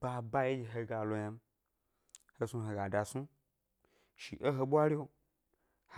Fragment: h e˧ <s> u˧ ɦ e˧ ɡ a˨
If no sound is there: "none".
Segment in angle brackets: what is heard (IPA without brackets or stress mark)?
s